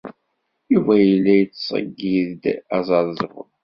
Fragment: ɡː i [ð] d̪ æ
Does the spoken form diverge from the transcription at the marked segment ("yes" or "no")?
no